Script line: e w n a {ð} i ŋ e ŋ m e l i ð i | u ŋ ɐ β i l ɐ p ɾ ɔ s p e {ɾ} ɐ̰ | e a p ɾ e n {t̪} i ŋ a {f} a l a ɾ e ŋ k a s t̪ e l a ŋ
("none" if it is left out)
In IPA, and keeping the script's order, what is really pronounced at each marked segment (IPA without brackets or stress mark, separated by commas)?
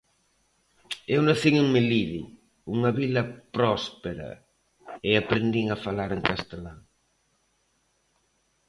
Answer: θ, ɾ, d̪, f